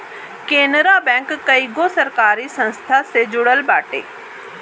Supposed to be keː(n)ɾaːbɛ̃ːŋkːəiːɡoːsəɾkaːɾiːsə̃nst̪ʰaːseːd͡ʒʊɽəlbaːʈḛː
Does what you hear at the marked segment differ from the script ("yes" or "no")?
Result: no